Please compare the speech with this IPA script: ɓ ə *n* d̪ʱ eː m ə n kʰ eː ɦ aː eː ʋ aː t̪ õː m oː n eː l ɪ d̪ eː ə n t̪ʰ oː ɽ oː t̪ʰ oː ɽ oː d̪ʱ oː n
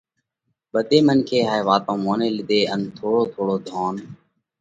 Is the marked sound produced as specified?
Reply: no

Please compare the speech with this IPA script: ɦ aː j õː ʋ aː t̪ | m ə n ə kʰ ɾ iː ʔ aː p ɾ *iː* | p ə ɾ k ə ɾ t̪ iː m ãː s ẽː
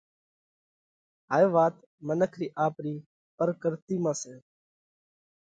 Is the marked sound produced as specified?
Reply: yes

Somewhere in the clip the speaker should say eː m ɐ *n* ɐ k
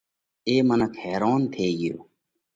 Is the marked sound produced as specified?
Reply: yes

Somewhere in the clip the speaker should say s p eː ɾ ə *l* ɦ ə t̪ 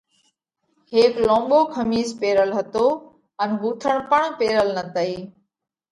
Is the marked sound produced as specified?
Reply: yes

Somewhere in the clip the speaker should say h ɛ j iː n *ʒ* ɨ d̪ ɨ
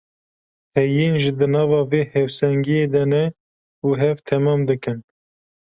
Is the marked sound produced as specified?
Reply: yes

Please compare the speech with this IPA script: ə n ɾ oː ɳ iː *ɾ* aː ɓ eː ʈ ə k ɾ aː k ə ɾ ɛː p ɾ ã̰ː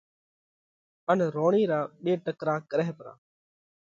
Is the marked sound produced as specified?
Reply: yes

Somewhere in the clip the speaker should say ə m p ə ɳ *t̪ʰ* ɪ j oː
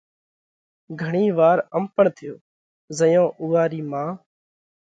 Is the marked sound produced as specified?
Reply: yes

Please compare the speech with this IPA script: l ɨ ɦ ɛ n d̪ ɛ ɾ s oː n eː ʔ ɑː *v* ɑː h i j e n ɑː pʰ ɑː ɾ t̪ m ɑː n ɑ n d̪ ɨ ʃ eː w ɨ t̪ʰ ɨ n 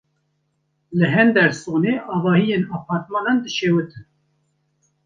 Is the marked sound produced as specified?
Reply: yes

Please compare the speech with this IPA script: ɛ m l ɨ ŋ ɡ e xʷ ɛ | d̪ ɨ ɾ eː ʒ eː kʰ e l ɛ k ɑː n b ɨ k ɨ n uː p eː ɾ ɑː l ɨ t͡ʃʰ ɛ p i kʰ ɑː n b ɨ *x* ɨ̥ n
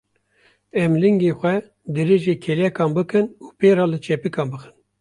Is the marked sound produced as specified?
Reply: yes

